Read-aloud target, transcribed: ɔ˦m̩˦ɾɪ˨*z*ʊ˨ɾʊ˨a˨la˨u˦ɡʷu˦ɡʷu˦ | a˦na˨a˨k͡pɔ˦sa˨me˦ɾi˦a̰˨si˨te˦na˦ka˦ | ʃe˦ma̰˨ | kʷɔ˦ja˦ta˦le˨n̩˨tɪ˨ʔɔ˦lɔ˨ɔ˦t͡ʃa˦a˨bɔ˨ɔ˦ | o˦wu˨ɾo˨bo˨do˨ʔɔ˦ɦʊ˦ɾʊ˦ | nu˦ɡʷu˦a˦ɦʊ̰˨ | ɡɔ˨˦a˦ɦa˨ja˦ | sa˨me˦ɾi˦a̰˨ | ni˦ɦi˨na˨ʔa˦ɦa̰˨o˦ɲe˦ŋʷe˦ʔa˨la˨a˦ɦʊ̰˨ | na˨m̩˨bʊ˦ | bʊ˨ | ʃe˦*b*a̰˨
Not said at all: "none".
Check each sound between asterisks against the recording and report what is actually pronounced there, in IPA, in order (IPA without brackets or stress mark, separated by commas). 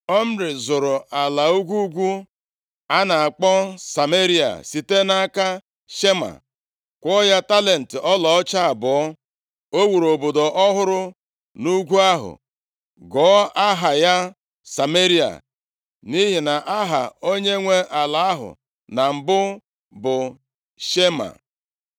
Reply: z, m